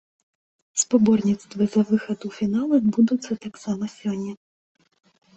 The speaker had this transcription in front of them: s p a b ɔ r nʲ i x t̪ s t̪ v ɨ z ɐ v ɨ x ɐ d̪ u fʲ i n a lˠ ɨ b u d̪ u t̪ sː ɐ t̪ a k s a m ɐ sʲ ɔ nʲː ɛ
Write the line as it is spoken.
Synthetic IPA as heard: s p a b ɔ r nʲ i t̪ s t̪ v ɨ z ɐ v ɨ x ɐ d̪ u fʲ i n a lˠ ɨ b u d̪ u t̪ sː ɐ t̪ a k s a m ɐ sʲ ɔ nʲː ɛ